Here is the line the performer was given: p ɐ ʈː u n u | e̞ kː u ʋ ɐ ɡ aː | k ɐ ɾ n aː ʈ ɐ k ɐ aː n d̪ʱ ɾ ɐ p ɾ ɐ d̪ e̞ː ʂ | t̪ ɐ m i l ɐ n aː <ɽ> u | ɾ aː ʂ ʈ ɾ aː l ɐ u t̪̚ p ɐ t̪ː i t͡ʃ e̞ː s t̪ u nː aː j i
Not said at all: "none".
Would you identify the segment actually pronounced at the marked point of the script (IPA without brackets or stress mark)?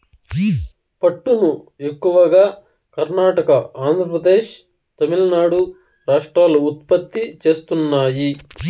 ɽ